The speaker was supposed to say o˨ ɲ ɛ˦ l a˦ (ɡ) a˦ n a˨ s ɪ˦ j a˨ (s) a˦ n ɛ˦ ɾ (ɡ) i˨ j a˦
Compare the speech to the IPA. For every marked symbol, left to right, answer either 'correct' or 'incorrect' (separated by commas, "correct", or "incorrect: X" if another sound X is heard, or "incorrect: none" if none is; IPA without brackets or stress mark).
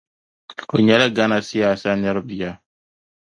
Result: correct, correct, incorrect: b